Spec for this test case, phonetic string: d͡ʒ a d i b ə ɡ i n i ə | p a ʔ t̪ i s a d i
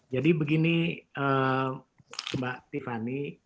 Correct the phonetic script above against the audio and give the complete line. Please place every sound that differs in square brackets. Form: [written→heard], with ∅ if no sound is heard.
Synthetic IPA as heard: d͡ʒ a d i b ə ɡ i n i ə | [p→b] a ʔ t̪ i [s→f] a [d→n] i